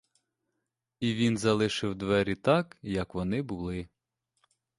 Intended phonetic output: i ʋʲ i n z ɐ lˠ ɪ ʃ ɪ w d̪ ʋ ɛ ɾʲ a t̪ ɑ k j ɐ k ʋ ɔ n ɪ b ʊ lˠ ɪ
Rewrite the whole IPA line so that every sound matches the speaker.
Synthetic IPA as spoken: i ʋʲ i n z ɐ lˠ ɪ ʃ ɪ w d̪ ʋ ɛ ɾʲ i t̪ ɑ k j ɐ k ʋ ɔ n ɪ b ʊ lˠ ɪ